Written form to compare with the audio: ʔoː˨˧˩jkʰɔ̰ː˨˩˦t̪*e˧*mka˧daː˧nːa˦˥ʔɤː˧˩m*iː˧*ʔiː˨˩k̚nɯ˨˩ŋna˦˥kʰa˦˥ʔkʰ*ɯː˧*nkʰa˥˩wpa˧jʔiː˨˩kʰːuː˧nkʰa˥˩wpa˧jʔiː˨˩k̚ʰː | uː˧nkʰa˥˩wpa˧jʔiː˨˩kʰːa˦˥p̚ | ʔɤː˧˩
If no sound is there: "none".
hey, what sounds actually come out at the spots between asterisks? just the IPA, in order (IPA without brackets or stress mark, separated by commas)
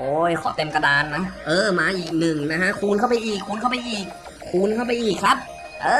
e˧, aː˧, uː˧